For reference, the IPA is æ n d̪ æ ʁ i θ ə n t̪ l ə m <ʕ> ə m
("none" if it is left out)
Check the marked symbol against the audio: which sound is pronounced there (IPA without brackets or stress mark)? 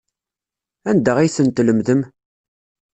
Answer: ð